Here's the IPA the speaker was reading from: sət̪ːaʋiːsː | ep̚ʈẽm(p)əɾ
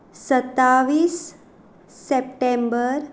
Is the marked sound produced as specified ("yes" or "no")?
no